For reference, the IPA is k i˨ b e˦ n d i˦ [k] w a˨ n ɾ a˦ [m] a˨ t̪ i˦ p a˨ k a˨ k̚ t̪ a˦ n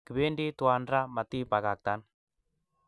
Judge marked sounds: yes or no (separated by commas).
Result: no, yes